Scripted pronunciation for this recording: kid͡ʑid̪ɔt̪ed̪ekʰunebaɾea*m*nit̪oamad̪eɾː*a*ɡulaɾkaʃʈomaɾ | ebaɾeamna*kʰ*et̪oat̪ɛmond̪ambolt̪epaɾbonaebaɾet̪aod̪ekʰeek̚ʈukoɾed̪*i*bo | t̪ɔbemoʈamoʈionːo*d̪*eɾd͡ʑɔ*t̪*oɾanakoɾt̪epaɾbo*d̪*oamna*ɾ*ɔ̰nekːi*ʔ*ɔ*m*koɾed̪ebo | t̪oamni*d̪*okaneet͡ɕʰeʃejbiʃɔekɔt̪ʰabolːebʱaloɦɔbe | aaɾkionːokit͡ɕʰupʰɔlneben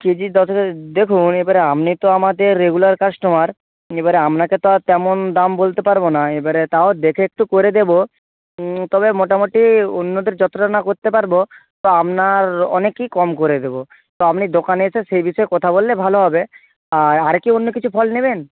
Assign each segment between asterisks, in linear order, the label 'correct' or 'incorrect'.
correct, incorrect, incorrect, incorrect, correct, correct, incorrect, correct, incorrect, correct, correct

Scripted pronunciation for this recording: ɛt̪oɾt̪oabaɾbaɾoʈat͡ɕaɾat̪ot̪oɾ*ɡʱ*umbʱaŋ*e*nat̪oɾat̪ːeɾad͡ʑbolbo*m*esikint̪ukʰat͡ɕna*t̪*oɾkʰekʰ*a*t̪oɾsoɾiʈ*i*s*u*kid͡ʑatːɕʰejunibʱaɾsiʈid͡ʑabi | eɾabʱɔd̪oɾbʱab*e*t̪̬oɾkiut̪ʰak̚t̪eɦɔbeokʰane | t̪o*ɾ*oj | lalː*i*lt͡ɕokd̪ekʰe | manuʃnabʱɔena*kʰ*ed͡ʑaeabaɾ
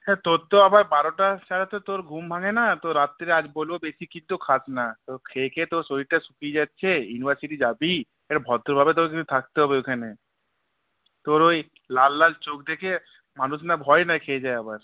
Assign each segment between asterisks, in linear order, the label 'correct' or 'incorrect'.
correct, correct, incorrect, correct, incorrect, incorrect, correct, correct, correct, incorrect, correct

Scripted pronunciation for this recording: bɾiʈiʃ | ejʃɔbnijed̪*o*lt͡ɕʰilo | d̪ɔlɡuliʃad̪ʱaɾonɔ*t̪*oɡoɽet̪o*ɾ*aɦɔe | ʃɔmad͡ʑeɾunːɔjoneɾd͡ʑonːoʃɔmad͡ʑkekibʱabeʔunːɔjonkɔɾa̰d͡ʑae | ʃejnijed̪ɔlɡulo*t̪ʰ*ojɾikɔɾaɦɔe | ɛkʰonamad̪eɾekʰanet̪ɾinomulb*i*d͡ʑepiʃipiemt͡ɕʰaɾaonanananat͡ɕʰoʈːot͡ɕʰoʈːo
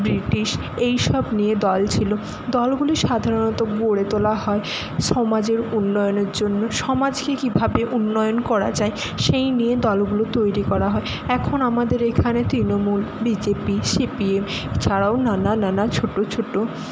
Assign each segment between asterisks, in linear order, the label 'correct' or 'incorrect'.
incorrect, correct, incorrect, incorrect, correct

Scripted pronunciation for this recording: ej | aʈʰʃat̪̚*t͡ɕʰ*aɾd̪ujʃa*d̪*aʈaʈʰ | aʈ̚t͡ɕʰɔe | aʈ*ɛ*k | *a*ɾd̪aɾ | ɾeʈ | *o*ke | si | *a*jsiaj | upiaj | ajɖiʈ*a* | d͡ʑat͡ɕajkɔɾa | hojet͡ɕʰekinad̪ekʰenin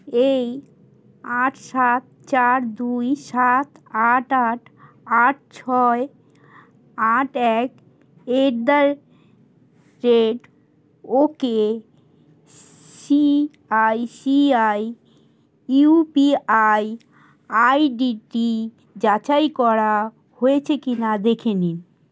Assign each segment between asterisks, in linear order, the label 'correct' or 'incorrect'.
incorrect, incorrect, correct, incorrect, correct, correct, incorrect

